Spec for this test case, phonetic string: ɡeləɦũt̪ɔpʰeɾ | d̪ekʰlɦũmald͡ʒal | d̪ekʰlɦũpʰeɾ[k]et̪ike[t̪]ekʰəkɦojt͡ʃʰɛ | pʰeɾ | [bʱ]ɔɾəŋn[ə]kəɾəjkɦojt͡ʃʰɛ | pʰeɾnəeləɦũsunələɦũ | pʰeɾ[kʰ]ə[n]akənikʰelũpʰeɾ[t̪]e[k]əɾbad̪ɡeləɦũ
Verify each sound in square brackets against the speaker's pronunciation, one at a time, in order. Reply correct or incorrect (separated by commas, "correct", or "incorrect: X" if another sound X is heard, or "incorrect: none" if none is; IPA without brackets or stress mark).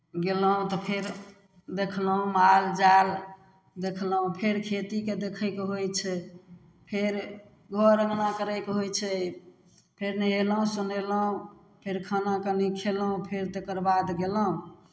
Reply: incorrect: kʰ, incorrect: d̪, incorrect: ɡʱ, incorrect: a, correct, correct, correct, correct